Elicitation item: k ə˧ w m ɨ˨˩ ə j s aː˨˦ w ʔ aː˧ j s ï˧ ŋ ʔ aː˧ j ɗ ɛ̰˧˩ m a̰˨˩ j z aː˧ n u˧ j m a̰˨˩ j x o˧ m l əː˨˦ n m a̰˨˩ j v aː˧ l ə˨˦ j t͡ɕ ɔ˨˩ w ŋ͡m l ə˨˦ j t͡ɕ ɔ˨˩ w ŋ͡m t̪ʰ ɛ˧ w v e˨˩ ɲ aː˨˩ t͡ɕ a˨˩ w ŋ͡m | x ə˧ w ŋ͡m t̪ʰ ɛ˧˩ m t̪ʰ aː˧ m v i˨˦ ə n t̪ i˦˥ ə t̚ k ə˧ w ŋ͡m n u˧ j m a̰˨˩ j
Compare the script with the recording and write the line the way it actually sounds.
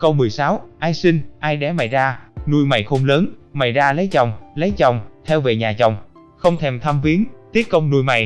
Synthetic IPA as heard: k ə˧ w m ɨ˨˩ ə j s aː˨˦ w ʔ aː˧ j s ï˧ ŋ ʔ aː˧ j ɗ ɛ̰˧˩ m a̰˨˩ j z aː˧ n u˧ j m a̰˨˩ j x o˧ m l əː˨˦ n m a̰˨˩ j z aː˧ l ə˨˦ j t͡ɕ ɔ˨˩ w ŋ͡m l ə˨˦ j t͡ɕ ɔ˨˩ w ŋ͡m t̪ʰ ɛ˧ w v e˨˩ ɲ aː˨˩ t͡ɕ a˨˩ w ŋ͡m | x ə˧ w ŋ͡m t̪ʰ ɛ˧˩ m t̪ʰ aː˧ m v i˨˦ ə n t̪ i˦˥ ə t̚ k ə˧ w ŋ͡m n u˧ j m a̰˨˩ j